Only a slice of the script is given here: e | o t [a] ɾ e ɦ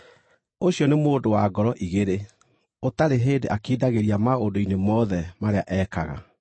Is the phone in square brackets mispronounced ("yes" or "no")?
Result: no